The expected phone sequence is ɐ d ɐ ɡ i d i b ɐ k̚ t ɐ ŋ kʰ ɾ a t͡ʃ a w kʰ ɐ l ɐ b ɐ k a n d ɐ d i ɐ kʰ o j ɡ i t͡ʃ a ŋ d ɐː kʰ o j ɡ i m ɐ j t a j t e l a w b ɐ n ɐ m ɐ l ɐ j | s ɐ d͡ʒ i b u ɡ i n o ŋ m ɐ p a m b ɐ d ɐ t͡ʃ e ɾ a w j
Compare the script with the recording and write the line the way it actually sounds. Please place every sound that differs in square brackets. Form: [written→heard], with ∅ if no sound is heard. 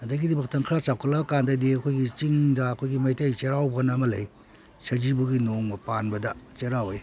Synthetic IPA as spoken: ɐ d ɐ ɡ i d i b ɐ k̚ t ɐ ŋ kʰ ɾ a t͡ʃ a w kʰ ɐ l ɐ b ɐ k a n d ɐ d i ɐ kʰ o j ɡ i t͡ʃ [a→i] ŋ d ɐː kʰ o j ɡ i m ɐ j t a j [t→t͡ʃ] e [l→ɾ] a w b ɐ n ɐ m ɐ l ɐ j | s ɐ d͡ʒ i b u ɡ i n o ŋ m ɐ p a [m→n] b ɐ d ɐ t͡ʃ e ɾ a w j